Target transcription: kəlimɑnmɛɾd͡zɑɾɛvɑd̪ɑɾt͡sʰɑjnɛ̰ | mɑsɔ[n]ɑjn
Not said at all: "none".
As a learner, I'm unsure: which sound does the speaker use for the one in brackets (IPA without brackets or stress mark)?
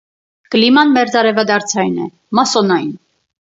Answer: n